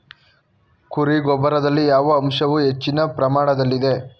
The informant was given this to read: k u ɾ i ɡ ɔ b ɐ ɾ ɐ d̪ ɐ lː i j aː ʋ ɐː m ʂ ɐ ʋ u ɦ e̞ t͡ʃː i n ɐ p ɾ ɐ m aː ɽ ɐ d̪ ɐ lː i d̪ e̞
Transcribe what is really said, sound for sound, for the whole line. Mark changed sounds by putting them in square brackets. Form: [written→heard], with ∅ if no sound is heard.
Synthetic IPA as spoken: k u ɾ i ɡ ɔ b ɐ ɾ ɐ d̪ ɐ lː i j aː ʋ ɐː m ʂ ɐ ʋ u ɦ e̞ t͡ʃː i n ɐ p ɾ ɐ m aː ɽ ɐ d̪ ɐ lː i d̪ e̞